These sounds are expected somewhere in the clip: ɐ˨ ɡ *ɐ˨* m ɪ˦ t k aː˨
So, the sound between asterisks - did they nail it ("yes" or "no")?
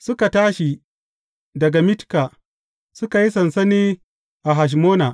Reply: no